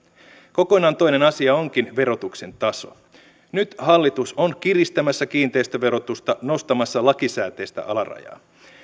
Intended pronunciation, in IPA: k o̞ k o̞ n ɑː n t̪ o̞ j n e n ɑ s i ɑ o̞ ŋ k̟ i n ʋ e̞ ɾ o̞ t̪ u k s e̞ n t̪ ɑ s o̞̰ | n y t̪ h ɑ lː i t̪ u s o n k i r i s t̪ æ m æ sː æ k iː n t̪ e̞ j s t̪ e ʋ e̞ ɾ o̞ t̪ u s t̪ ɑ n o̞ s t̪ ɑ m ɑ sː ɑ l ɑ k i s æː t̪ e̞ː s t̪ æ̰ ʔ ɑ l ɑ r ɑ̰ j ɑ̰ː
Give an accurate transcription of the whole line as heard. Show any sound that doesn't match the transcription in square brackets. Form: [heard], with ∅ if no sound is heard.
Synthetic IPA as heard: k o̞ k o̞ n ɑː n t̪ o̞ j n e n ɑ s i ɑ o̞ ŋ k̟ i n ʋ e̞ ɾ o̞ t̪ u k s e̞ n t̪ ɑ s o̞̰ | n y t̪ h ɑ lː i t̪ u s o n k i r i s t̪ æ m æ sː æ k iː n t̪ e̞ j s t̪ [æ] ʋ e̞ ɾ o̞ t̪ u s t̪ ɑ n o̞ s t̪ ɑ m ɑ sː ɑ l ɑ k i s æː t̪ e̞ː s t̪ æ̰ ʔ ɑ l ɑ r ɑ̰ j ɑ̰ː